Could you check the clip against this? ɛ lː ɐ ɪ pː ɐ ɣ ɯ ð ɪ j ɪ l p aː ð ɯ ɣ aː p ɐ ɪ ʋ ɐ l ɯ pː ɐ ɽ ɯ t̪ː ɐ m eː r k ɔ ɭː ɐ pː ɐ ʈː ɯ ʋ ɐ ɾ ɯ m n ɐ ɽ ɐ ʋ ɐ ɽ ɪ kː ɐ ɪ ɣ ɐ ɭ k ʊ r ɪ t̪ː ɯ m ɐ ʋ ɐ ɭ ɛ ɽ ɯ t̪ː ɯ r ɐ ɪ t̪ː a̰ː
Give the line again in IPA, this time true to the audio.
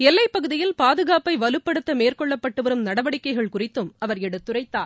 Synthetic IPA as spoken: ɛ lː ɐ ɪ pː ɐ ɣ ɯ ð ɪ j ɪ l p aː ð ɯ ɣ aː p ɐ ɪ ʋ ɐ l ɯ pː ɐ ɽ ɯ t̪ː ɐ m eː r k ɔ ɭː ɐ pː ɐ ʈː ɯ ʋ ɐ ɾ ɯ m n ɐ ɽ ɐ ʋ ɐ ɽ ɪ kː ɐ ɪ ɣ ɐ ɭ k ʊ r ɪ t̪ː ɯ m ɐ ʋ ɐ ɾ ɛ ɽ ɯ t̪ː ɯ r ɐ ɪ t̪ː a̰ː